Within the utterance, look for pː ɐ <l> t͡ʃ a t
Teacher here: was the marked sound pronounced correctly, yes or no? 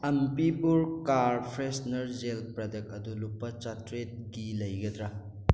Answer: no